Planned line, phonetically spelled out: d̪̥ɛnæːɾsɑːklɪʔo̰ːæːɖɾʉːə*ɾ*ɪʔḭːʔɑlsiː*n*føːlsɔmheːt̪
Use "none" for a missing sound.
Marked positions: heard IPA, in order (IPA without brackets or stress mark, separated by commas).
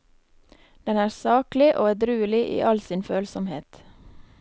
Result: l, n